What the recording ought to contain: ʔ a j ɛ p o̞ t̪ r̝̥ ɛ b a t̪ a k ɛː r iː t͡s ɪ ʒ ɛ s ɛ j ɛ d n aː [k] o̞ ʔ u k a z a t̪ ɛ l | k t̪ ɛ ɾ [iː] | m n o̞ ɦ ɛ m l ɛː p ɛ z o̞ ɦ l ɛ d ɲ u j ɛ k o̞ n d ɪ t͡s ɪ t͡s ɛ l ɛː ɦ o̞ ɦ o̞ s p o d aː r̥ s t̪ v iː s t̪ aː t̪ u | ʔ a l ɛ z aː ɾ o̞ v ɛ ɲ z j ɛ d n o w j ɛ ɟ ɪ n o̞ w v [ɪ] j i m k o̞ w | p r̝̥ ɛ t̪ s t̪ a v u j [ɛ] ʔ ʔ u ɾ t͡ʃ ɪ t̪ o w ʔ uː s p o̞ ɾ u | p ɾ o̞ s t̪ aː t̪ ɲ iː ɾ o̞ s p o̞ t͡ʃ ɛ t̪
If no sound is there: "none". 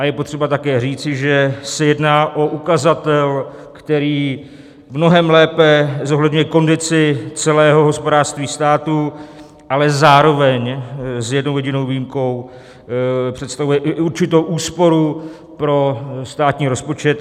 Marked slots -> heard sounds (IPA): ʔ, iː, i, ɛ

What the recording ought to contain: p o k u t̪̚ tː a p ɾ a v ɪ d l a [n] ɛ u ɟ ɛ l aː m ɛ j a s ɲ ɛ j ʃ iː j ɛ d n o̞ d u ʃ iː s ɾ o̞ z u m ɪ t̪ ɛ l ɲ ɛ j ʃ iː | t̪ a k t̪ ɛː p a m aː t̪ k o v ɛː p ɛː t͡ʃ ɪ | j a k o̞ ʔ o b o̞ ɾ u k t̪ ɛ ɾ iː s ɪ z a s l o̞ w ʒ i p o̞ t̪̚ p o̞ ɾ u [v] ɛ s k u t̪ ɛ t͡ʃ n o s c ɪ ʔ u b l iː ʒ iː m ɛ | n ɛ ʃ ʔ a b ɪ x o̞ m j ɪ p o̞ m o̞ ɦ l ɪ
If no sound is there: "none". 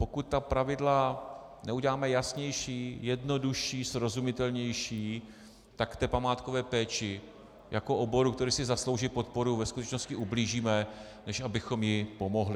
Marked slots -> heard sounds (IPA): n, v

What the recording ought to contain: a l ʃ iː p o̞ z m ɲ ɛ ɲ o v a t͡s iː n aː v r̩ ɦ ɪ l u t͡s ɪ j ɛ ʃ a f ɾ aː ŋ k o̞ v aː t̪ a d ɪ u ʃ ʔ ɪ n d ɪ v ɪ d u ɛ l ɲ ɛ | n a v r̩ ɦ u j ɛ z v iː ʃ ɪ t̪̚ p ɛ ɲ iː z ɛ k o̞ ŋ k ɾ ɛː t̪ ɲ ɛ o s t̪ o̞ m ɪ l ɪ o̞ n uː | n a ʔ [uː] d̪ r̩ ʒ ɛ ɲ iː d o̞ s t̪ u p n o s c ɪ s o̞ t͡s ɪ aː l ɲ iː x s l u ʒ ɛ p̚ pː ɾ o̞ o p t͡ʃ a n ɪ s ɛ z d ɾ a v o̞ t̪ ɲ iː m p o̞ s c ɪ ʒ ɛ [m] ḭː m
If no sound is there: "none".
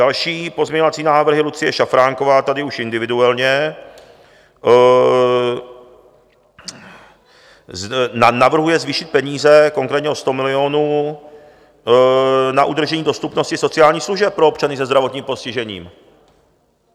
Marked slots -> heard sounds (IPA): u, ɲ

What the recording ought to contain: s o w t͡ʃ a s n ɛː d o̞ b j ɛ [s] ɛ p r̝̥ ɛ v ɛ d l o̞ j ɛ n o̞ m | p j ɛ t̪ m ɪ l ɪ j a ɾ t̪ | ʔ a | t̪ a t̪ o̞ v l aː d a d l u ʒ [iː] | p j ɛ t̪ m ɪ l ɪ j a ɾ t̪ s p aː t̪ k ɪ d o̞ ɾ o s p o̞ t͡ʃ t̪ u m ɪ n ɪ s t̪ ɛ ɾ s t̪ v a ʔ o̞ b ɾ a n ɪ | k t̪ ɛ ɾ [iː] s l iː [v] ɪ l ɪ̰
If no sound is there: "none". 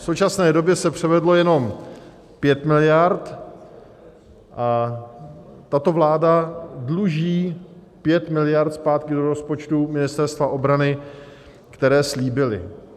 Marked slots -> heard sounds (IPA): s, iː, ɛː, b

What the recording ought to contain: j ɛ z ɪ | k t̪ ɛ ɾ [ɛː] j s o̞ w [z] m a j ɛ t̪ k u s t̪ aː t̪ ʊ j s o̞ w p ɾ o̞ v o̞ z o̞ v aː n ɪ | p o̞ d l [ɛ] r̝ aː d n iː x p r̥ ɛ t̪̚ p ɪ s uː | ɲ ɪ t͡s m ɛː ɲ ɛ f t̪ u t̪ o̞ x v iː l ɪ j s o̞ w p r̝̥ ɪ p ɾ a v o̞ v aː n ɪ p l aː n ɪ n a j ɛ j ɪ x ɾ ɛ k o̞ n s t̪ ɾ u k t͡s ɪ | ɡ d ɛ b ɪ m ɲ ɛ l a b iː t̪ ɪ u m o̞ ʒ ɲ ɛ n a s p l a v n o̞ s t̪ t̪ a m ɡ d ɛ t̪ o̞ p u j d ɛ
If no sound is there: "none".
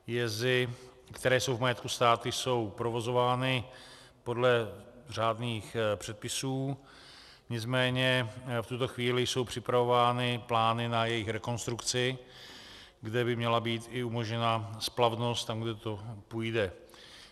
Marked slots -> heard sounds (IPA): ɛː, v, ɛ

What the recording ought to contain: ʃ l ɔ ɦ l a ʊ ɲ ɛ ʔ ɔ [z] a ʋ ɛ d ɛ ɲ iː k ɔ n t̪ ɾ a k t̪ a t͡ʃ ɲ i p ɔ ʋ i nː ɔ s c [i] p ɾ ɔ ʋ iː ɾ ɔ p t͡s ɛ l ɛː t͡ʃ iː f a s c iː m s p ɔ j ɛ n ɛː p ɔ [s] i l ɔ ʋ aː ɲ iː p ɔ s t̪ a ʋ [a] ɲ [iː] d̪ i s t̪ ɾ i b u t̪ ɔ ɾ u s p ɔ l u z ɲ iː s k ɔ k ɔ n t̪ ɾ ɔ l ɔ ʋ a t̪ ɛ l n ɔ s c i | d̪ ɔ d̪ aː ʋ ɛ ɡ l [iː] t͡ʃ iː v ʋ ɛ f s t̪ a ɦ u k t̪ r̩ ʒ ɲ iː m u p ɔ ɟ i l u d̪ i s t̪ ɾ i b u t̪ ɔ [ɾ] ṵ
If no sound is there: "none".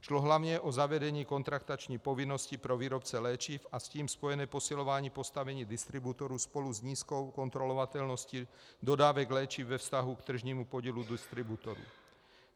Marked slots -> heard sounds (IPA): z, i, s, ɛ, iː, ɛː, ɾ

